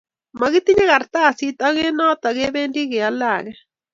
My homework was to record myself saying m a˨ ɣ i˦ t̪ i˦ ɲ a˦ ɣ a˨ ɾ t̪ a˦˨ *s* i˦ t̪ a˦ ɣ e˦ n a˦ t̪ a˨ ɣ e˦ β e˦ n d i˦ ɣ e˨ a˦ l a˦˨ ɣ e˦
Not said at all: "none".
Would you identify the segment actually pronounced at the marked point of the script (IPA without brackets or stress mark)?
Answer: s